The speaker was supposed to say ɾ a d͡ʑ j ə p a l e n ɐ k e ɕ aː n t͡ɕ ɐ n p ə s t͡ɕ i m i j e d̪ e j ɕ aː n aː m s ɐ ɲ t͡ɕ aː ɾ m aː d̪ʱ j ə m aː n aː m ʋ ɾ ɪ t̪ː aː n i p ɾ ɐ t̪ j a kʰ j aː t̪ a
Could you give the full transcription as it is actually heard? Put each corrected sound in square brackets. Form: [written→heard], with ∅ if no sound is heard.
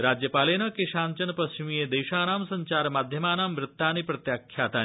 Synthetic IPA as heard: ɾ a d͡ʑ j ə p a l e n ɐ k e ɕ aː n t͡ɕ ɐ n p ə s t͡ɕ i m i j e d̪ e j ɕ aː n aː m s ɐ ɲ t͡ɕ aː ɾ m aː d̪ʱ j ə m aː n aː m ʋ ɾ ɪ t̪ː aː n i p ɾ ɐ t̪ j a kʰ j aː t̪ a